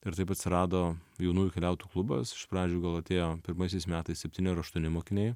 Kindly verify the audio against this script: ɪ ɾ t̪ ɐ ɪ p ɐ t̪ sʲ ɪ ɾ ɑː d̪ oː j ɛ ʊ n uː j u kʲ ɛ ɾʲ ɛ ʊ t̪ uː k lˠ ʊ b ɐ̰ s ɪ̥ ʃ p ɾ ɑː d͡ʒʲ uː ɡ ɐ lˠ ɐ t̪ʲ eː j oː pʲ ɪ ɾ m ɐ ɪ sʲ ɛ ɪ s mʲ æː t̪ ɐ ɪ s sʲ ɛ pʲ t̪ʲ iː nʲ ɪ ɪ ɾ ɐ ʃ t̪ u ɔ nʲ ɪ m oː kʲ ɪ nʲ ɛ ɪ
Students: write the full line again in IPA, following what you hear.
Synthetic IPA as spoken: ɪ ɾ t̪ ɐ ɪ p ɐ t̪ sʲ ɪ ɾ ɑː d̪ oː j ɛ ʊ n uː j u kʲ ɛ lʲ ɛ ʊ t̪ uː k lˠ ʊ b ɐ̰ s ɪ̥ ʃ p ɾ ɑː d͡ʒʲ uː ɡ ɐ lˠ ɐ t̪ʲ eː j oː pʲ ɪ ɾ m ɐ ɪ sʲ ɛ ɪ s mʲ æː t̪ ɐ ɪ s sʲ ɛ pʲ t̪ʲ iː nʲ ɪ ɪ ɾ ɐ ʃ t̪ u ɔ nʲ ɪ m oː kʲ ɪ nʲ ɛ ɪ